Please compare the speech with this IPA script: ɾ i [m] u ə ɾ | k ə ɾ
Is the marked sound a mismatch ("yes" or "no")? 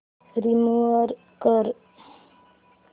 no